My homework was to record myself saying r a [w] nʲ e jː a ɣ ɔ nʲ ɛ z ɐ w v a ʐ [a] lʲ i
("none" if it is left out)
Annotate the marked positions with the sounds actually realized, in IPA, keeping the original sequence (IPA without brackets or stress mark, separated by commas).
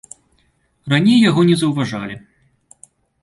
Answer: none, a